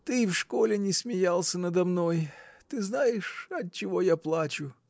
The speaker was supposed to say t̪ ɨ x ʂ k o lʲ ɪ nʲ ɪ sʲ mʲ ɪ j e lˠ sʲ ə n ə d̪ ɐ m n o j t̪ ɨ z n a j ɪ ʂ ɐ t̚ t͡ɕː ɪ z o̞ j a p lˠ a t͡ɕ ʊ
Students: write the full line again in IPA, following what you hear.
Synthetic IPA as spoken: t̪ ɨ f ʂ k o lʲ ɪ nʲ ɪ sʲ mʲ ɪ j a lˠ sʲ ə n ə d̪ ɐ m n o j t̪ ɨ z n a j ɪ ʂ ɐ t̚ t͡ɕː ɪ v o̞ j a p lˠ a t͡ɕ ʊ